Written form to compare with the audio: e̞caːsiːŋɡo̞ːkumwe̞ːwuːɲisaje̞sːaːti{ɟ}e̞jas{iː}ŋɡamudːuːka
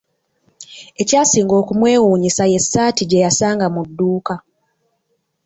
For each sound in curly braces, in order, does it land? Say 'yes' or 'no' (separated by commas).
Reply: yes, no